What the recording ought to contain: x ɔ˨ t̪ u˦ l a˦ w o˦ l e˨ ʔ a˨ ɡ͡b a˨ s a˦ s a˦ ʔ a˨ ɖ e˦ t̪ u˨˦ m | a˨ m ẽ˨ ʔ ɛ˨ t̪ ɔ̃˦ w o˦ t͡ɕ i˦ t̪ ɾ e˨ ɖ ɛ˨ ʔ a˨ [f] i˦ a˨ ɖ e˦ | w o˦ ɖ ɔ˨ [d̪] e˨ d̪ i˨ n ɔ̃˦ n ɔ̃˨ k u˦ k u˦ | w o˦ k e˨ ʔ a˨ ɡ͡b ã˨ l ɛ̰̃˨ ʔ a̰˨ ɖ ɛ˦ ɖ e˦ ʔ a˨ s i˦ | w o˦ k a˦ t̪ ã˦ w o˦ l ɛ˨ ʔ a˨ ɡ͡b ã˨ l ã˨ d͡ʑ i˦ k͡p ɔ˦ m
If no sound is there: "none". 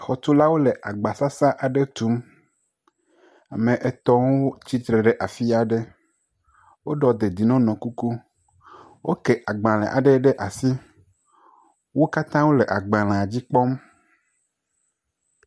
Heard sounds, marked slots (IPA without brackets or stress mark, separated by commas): f, d̪